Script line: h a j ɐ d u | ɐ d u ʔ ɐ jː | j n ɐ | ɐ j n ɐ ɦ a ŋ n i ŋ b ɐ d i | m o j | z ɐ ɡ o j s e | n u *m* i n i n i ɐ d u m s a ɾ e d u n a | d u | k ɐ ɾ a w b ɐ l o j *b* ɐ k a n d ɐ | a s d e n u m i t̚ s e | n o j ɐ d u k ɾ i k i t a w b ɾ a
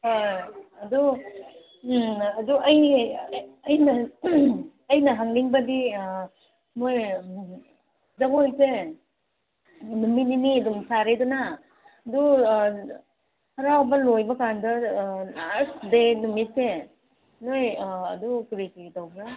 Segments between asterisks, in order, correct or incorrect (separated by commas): correct, correct